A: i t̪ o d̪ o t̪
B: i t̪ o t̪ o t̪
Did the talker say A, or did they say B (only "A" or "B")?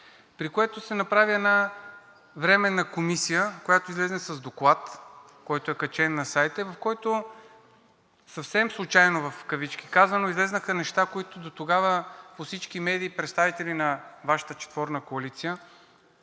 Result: A